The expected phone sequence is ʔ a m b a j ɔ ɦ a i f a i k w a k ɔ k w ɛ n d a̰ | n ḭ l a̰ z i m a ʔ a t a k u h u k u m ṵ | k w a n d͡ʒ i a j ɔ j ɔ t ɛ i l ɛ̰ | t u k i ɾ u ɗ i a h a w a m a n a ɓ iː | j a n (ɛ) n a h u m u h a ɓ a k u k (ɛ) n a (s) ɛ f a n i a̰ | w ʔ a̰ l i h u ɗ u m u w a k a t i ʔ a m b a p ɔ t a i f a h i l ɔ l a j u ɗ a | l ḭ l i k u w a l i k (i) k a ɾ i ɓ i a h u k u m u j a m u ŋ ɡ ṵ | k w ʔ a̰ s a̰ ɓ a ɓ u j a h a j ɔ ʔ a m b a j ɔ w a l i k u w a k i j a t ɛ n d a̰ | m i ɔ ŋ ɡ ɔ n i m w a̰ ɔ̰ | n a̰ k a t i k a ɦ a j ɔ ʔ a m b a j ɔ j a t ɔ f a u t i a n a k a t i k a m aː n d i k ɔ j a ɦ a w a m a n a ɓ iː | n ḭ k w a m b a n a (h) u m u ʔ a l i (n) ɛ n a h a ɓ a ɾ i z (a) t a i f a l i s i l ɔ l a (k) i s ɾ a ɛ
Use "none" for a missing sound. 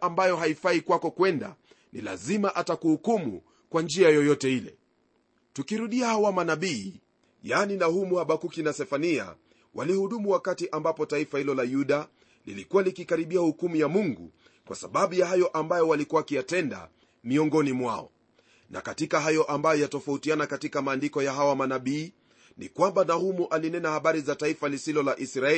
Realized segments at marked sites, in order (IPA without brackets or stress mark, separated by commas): i, i, s, i, h, n, a, ʔ